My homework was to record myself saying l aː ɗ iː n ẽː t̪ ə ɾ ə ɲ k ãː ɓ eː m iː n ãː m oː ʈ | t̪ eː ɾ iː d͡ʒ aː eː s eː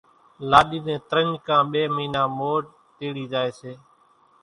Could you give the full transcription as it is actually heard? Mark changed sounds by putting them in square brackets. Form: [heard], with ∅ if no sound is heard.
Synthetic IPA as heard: l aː ɗ iː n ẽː t̪ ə ɾ ə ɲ k ãː ɓ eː m iː n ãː m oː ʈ | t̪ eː [ɽ] iː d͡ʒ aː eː s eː